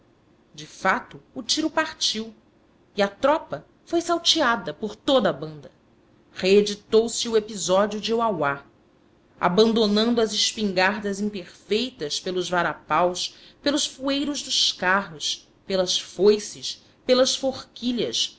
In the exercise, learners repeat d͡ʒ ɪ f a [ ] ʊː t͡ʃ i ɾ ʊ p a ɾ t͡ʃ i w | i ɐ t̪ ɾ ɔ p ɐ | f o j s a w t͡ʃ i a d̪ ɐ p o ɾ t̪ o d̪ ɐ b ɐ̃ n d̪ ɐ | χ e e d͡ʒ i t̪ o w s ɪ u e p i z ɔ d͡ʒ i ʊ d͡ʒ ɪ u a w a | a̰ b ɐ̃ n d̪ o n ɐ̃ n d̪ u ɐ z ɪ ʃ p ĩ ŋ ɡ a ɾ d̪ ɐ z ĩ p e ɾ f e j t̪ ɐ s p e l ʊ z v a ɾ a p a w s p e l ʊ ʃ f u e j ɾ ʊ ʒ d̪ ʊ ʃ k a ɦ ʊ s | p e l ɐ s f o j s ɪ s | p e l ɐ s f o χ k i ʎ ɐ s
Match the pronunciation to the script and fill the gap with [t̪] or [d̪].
t̪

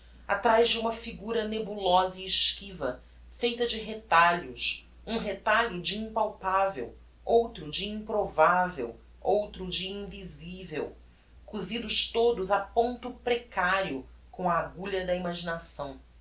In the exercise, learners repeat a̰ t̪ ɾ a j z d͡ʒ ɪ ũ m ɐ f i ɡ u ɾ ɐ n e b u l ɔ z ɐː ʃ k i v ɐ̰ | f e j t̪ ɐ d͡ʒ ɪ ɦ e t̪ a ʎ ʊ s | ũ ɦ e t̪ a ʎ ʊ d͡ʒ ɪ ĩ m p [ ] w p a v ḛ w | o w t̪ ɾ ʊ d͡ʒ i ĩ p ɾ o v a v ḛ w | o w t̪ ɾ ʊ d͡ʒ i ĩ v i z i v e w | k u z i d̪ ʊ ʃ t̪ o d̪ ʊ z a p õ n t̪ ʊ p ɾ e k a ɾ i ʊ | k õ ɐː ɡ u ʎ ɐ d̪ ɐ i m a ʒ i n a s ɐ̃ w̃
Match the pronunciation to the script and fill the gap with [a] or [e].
a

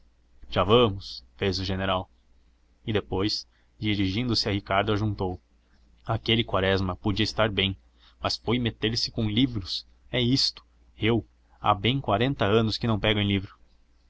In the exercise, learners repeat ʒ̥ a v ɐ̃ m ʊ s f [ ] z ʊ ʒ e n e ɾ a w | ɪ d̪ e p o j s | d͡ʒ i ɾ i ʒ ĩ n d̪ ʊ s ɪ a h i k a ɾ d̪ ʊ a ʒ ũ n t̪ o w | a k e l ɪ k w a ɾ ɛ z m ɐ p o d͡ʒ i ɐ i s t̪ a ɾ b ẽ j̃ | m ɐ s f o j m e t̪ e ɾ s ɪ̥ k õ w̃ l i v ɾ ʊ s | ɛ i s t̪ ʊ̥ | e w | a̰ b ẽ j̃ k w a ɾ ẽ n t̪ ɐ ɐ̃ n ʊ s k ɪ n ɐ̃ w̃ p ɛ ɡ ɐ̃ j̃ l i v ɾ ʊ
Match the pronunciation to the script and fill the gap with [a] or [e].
e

